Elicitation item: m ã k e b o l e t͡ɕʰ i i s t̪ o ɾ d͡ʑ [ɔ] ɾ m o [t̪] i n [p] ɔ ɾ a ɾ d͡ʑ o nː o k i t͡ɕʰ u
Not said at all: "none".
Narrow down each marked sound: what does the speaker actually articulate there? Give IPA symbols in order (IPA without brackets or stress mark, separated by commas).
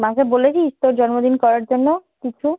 ɔ, d̪, k